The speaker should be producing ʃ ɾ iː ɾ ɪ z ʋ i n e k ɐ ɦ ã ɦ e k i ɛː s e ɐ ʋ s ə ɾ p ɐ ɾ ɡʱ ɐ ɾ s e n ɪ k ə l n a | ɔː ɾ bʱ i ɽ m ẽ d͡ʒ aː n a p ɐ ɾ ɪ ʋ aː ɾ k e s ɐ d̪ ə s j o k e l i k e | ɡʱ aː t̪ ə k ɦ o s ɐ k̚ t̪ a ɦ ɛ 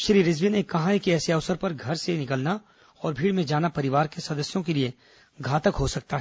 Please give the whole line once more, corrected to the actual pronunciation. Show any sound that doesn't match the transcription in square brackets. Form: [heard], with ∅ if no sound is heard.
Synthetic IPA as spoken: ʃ ɾ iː ɾ ɪ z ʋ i n e k ɐ ɦ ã ɦ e k i ɛː s e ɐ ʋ s ə ɾ p ɐ ɾ ɡʱ ɐ ɾ s e n ɪ k ə l n a | ɔː ɾ bʱ [iː] ɽ m ẽ d͡ʒ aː n a p ɐ ɾ ɪ ʋ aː ɾ k e s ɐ d̪ ə s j [õ] k e l i [∅] e | ɡʱ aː t̪ ə k ɦ o s ɐ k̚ t̪ a ɦ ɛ

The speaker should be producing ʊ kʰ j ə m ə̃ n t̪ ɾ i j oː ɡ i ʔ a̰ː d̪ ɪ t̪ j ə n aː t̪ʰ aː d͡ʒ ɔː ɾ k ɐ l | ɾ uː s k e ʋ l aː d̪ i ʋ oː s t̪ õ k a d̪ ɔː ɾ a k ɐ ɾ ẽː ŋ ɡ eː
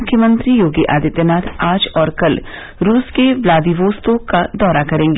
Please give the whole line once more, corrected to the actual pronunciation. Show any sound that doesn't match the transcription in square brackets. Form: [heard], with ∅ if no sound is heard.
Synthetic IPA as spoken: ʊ kʰ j ə m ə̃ n t̪ ɾ i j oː ɡ i ʔ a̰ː d̪ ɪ t̪ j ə n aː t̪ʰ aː d͡ʒ ɔː ɾ k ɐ l | ɾ uː s k e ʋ l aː d̪ i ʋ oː s t̪ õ k a d̪ ɔː ɾ a k ɐ ɾ ẽː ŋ ɡ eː

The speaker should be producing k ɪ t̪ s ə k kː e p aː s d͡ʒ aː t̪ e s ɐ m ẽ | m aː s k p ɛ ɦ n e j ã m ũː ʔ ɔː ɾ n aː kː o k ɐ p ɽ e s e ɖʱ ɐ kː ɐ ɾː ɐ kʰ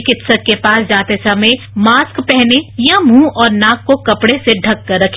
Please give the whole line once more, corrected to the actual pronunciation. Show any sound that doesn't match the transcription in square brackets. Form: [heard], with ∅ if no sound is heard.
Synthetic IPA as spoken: k ɪ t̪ s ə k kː e p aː s d͡ʒ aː t̪ e s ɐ m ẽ | m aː s k p ɛ ɦ n e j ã m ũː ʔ ɔː ɾ n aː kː o k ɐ p ɽ e s e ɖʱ ɐ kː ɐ ɾː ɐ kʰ

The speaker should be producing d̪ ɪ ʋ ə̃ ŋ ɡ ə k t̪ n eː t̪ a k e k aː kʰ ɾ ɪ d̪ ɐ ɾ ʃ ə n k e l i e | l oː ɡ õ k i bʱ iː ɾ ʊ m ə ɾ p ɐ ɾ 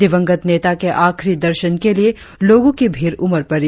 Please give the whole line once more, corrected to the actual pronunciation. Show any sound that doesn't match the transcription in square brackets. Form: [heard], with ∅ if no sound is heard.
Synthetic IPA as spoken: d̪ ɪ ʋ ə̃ ŋ ɡ ə [∅] t̪ n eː t̪ a k e [ʔ] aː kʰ ɾ [i] d̪ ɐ ɾ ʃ ə n k e l i e | l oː ɡ õ k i bʱ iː ɾ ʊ m ə ɾ p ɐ ɾ

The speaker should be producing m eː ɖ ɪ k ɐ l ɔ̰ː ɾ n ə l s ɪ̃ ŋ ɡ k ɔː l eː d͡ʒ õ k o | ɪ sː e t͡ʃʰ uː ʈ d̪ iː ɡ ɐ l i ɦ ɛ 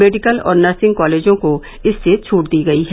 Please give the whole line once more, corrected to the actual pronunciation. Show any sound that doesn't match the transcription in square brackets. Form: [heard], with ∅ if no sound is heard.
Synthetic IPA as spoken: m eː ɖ ɪ k [ə] l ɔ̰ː ɾ n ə [ɾ] s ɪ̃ ŋ ɡ k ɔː l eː d͡ʒ õ k o | ɪ sː e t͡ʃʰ uː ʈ d̪ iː ɡ ɐ [∅] i ɦ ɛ

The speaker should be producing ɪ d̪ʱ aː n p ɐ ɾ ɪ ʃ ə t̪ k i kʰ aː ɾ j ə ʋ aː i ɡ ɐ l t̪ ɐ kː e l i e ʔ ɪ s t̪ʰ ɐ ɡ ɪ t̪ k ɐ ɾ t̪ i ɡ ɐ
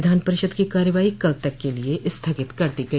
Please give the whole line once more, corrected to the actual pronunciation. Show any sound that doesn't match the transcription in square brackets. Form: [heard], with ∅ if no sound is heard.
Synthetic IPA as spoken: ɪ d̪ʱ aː n p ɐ ɾ ɪ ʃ ə [d̪] k i [k] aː ɾ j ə ʋ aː i [k] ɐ l t̪ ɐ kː e l i e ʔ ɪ s t̪ʰ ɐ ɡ ɪ t̪ k ɐ ɾ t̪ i ɡ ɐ

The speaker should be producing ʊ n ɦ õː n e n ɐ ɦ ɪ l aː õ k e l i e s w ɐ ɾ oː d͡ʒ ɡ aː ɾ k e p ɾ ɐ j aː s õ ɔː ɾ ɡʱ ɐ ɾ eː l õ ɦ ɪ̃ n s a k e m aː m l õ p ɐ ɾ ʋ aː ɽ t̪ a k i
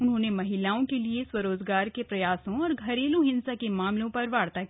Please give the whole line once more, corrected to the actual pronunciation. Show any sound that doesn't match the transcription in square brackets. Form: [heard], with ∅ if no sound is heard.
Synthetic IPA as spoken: ʊ n ɦ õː n e [m] ɐ ɦ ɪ l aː õ k e l i e s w ɐ ɾ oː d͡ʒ ɡ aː ɾ k e p ɾ ɐ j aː s õ ɔː ɾ ɡʱ ɐ ɾ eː l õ ɦ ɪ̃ n s a k e m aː m l õ p ɐ ɾ ʋ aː ɽ t̪ a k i

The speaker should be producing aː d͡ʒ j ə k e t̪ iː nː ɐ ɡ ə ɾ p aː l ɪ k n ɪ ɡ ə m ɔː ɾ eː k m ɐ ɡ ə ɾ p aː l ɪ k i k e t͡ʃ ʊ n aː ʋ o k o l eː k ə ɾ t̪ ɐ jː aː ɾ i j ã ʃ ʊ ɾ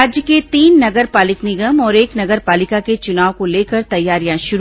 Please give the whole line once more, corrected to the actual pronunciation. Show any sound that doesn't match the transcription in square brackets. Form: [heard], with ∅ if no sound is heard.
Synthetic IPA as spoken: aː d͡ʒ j ə k e t̪ iː nː ɐ ɡ ə ɾ p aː l ɪ k n ɪ ɡ ə m ɔː ɾ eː k [n] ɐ ɡ ə ɾ p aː l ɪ k [a] k e t͡ʃ ʊ n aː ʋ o k o l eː k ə ɾ t̪ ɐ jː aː ɾ i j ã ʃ ʊ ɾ

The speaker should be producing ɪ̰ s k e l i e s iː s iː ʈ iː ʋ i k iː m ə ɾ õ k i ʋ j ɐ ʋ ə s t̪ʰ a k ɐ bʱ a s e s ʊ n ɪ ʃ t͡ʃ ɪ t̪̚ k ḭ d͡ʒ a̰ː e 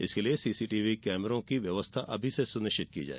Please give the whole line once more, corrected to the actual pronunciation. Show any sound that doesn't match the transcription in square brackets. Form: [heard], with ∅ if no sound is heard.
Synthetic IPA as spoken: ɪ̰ s k e l i e s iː s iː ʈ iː ʋ i k [ɛː] m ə ɾ õ k i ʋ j ɐ ʋ ə s t̪ʰ a [ʔ] ɐ bʱ [i] s e s ʊ n ɪ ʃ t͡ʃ ɪ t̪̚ k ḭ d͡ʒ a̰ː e

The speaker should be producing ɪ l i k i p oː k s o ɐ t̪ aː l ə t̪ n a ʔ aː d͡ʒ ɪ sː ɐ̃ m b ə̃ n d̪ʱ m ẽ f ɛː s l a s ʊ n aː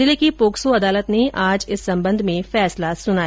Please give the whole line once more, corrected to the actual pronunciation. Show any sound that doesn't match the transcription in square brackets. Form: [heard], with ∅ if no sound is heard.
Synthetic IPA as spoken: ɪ l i k i p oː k s o ɐ [d̪] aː l ə t̪ n [e] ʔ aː d͡ʒ ɪ sː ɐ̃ m b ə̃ n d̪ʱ m ẽ f ɛː s l a s ʊ n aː

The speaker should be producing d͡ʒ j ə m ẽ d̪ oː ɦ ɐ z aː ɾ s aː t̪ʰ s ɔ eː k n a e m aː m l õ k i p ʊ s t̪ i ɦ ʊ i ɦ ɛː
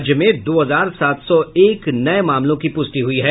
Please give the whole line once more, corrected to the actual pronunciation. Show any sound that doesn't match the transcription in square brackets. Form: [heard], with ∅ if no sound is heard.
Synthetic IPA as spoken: d͡ʒ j ə m ẽ d̪ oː ɦ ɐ z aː ɾ s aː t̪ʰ s ɔ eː k n [ɐ] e m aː m l õ k i p ʊ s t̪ i ɦ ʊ i ɦ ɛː

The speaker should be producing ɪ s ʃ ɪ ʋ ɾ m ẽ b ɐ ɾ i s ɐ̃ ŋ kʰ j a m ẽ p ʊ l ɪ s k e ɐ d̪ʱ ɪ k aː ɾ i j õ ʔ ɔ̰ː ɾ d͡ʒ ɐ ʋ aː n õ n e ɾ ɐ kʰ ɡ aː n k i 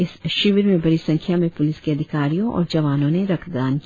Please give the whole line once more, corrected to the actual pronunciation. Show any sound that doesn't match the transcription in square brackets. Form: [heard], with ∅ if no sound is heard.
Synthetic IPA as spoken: ɪ s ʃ ɪ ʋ ɾ m ẽ b ɐ ɾ i s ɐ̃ ŋ kʰ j a m ẽ p ʊ l ɪ s k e ɐ d̪ʱ ɪ k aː ɾ i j õ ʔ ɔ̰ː ɾ d͡ʒ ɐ ʋ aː n õ n e ɾ ɐ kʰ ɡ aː n k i

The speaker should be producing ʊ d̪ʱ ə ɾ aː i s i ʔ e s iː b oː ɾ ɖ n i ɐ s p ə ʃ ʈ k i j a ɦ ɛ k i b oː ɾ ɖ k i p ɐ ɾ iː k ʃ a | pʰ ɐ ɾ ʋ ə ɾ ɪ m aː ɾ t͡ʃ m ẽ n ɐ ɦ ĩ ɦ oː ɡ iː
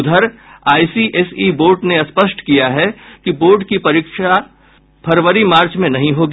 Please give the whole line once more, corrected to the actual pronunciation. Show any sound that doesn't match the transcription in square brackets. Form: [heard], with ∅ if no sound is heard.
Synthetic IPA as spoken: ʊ d̪ʱ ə ɾ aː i s i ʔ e s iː b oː ɾ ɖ n [e] ɐ s p ə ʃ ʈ k i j a ɦ ɛ k i b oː ɾ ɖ k i p ɐ ɾ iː k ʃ a | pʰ ɐ ɾ ʋ ə ɾ [i] m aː ɾ t͡ʃ m ẽ n ɐ ɦ ĩ ɦ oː ɡ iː

